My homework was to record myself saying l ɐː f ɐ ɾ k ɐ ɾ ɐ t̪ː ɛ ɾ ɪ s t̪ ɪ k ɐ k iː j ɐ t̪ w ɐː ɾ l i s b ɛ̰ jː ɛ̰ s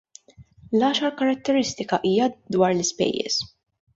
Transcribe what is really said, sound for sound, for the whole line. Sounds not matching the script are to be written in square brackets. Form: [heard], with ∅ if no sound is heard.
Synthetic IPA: l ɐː [ʃ] ɐ ɾ k ɐ ɾ ɐ t̪ː ɛ ɾ ɪ s t̪ ɪ k ɐ [ʔ] iː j ɐ [d̪] w ɐː ɾ l [ɪ] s [p] ɛ̰ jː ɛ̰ s